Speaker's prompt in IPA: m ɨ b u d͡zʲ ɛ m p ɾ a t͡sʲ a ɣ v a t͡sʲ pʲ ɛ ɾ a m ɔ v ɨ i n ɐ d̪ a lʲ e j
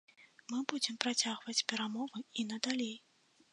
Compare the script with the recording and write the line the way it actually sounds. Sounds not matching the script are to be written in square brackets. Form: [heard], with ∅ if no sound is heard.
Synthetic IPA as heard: m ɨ b u d͡zʲ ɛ m p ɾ a t͡sʲ a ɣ v [ɐ] t͡sʲ pʲ ɛ ɾ a m ɔ v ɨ i n ɐ d̪ a lʲ e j